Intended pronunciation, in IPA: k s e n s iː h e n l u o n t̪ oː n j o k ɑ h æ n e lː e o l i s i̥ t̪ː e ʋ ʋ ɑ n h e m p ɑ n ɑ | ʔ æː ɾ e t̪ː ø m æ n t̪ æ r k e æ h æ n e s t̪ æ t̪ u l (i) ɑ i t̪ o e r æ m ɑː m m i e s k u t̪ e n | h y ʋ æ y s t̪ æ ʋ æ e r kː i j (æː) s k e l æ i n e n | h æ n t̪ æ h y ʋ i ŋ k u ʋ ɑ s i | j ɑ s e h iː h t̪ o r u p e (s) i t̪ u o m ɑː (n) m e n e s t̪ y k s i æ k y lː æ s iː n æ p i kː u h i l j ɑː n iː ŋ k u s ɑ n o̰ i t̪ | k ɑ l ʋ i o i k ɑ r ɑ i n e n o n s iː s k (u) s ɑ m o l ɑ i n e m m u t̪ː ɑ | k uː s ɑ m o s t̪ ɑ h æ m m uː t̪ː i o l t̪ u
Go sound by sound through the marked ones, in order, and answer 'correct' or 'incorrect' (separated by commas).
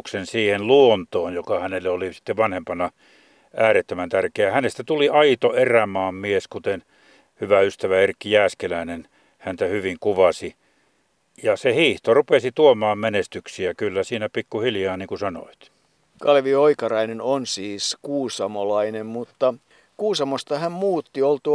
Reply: correct, correct, correct, incorrect, incorrect